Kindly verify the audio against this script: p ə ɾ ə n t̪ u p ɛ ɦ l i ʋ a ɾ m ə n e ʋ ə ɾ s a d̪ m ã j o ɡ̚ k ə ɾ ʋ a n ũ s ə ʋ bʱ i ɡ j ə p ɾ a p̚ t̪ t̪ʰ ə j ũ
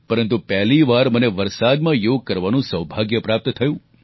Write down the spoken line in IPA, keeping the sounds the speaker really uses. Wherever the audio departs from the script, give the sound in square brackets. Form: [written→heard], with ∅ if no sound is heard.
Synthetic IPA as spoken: p ə ɾ ə n t̪ u p ɛ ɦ l i ʋ a ɾ m ə n e ʋ ə ɾ s a d̪ m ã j o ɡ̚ k ə ɾ ʋ a n ũ s ə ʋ bʱ [i→a] ɡ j ə p ɾ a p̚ t̪ t̪ʰ ə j ũ